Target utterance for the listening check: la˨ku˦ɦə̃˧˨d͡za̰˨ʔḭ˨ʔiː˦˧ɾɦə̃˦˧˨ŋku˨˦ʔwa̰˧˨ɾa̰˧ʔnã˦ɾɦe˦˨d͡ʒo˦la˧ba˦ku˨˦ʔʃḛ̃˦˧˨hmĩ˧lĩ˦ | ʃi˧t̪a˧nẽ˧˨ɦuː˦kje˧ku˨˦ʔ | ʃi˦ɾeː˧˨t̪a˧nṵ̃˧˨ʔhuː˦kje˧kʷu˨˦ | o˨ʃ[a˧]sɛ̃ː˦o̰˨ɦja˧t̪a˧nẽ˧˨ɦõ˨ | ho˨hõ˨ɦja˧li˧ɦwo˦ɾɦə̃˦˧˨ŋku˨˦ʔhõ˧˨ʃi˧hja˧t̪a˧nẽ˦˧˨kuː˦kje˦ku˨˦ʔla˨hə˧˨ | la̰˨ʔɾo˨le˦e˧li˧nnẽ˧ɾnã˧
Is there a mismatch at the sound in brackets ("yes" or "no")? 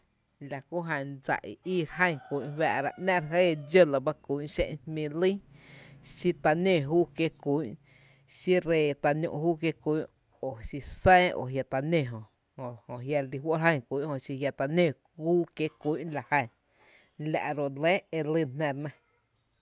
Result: yes